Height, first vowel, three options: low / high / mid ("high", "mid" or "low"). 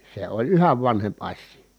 mid